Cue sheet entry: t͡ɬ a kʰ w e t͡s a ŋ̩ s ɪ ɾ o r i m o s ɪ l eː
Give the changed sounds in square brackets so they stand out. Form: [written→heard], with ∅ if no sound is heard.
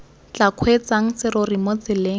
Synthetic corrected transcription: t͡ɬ a kʰ w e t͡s a ŋ̩ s ɪ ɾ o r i m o [s→t͡s] ɪ l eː

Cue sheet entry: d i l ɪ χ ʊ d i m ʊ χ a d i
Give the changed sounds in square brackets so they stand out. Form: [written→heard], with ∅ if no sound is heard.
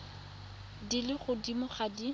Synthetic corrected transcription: d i l ɪ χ ʊ d i m ʊ χ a d i

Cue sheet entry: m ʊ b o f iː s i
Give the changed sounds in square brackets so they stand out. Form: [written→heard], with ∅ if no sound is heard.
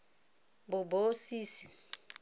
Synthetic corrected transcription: [m→b] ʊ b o [f→s] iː s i

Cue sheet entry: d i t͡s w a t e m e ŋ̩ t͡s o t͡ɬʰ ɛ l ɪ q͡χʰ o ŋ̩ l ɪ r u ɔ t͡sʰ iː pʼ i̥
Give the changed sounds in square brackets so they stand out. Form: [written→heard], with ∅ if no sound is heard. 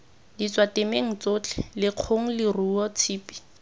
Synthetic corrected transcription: d i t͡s w a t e m e ŋ̩ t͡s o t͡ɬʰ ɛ l ɪ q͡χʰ o ŋ̩ l ɪ r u ɔ t͡sʰ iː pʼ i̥

